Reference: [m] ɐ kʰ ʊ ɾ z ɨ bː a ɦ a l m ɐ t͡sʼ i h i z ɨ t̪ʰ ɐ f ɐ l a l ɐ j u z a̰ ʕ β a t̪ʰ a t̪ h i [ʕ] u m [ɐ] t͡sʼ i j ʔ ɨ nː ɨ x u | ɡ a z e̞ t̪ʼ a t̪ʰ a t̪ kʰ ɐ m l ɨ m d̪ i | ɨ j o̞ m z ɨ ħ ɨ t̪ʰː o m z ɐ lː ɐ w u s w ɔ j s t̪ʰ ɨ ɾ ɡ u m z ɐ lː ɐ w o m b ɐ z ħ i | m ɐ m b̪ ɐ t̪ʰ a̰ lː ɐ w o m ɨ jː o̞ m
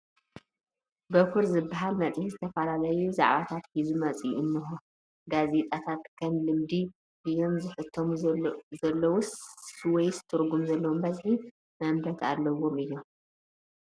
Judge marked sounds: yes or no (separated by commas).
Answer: no, no, yes